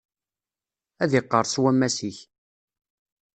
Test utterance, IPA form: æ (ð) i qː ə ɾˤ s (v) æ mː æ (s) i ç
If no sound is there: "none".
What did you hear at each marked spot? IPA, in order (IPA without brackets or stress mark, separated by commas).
ð, w, s